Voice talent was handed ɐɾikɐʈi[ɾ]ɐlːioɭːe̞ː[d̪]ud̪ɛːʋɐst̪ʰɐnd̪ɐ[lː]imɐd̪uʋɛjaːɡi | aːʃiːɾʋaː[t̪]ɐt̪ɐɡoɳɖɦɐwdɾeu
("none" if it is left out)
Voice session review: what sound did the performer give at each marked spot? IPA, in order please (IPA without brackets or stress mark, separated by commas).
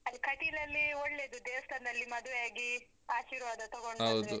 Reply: l, d̪, lː, d̪